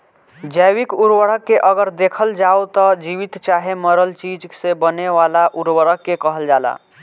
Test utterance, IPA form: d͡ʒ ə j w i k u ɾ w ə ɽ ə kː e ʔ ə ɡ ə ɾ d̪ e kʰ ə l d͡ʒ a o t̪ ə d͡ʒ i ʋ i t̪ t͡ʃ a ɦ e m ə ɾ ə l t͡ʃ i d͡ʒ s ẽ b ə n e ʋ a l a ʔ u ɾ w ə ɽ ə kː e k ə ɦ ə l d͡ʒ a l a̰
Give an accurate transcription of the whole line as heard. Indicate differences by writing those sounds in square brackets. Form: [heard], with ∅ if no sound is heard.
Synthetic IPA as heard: d͡ʒ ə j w i k u ɾ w ə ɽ ə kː e ʔ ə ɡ ə ɾ d̪ e kʰ ə l d͡ʒ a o t̪ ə d͡ʒ i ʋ i t̪ t͡ʃ a ɦ e m ə ɾ ə l t͡ʃ i d͡ʒ s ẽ b ə n e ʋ a l a ʔ u ɾ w ə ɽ ə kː e k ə ɦ ə l d͡ʒ a l a̰